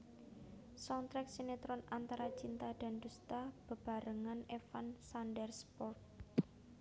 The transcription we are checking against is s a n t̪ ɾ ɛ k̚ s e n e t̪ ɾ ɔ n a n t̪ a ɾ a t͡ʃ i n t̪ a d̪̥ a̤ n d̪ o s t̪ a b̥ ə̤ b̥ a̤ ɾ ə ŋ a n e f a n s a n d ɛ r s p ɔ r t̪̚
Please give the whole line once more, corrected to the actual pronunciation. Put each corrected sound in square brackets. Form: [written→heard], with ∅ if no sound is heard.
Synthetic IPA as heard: s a n t̪ ɾ ɛ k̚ s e n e t̪ ɾ ɔ n a n t̪ a ɾ a t͡ʃ i n t̪ a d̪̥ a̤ n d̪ [o→u] s t̪ a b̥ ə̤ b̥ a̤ ɾ ə ŋ a n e f a n s a n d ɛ r s p ɔ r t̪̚